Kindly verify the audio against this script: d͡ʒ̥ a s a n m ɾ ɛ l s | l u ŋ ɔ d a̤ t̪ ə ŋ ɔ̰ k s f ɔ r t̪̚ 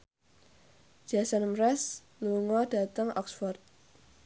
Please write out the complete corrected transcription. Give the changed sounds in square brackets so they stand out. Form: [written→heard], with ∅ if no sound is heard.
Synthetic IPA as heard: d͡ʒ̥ a s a n m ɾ ɛ [l→∅] s | l u ŋ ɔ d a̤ t̪ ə ŋ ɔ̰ k s f ɔ r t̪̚